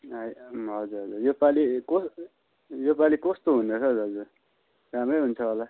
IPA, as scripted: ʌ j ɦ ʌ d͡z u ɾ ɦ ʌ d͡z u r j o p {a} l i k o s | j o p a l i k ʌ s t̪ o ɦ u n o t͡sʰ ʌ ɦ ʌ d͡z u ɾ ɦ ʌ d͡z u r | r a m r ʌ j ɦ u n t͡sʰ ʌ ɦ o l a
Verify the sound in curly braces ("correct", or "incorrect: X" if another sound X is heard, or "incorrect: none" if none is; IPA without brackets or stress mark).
correct